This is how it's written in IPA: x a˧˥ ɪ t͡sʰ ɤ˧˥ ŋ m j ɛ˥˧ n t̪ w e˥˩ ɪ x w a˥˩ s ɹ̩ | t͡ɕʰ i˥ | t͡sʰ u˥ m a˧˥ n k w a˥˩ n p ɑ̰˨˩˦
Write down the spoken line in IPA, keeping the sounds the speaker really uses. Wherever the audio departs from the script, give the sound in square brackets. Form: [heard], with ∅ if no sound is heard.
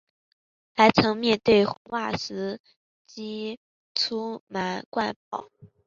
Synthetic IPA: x a˧˥ ɪ t͡sʰ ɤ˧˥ ŋ m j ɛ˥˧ n t̪ w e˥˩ ɪ x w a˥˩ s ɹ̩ | [t͡ɕ] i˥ | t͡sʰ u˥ m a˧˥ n k w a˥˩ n p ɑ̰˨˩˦